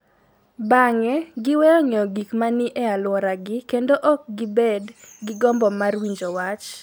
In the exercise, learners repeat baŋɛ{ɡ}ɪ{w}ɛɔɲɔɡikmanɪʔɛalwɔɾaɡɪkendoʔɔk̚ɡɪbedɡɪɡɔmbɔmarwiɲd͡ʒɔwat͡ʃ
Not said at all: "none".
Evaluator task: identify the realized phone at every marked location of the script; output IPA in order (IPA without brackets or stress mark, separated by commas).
ɡ, w